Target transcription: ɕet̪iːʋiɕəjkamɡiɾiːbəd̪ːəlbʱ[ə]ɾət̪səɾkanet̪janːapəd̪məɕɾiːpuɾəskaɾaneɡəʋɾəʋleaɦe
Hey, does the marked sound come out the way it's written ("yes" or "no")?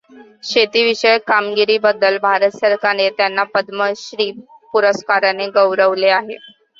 no